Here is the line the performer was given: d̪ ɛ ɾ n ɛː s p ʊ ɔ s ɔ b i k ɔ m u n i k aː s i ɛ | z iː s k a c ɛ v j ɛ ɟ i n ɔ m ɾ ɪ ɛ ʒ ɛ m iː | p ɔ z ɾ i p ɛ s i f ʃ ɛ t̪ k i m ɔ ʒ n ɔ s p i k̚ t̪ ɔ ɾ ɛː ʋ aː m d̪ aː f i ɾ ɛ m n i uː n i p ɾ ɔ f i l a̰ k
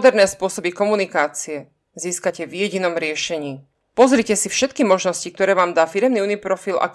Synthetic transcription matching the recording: d̪ ɛ ɾ n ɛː s p ʊ ɔ s ɔ b i k ɔ m u n i k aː t͡s i ɛ | z iː s k a c ɛ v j ɛ ɟ i n ɔ m ɾ ɪ ɛ ʃ ɛ ɲ iː | p ɔ z ɾ i c ɛ s i f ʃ ɛ t̪ k i m ɔ ʒ n ɔ s c i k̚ t̪ ɔ ɾ ɛː ʋ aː m d̪ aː f i ɾ ɛ m n i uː n i p ɾ ɔ f i l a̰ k